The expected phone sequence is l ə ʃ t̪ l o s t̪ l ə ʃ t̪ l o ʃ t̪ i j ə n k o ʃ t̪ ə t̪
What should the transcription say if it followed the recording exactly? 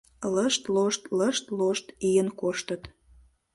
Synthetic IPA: l ə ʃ t̪ l o ʃ t̪ l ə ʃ t̪ l o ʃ t̪ i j ə n k o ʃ t̪ ə t̪